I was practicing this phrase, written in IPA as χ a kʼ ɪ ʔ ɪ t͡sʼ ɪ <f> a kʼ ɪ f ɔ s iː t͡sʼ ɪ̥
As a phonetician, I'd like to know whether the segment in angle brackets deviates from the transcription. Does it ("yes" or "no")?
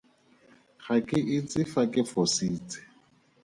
no